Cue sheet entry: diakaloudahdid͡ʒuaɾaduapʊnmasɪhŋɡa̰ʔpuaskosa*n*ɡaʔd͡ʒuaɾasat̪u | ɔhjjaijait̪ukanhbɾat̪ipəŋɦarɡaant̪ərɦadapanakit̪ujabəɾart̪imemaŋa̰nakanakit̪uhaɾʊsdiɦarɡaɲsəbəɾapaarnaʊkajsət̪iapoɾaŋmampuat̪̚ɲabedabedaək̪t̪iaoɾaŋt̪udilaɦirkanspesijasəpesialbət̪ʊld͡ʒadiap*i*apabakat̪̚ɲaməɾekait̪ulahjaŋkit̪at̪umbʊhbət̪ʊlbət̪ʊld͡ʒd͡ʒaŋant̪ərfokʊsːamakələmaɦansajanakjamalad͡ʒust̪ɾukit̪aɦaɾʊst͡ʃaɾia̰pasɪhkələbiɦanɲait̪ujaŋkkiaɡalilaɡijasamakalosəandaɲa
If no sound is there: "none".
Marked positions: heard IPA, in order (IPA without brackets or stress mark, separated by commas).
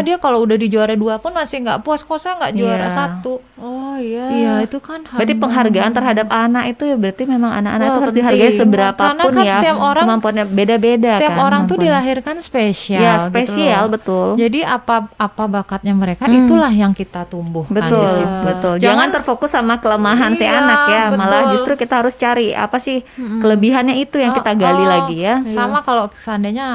ŋ, a